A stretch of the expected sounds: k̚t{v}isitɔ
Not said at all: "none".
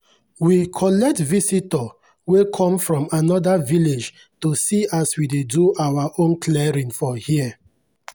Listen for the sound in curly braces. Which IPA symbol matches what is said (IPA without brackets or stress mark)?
v